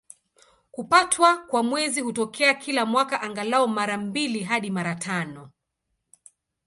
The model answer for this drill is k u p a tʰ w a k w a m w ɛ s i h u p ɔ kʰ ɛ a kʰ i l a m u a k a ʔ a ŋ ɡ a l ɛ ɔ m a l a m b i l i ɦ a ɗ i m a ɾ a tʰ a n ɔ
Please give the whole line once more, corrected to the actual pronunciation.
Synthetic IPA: k u p a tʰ w a k w a m w ɛ z i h u t ɔ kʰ ɛ a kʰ i l a m w a k a ʔ a ŋ ɡ a l a ɔ m a ɾ a m b i l i ɦ a ɗ i m a ɾ a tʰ a n ɔ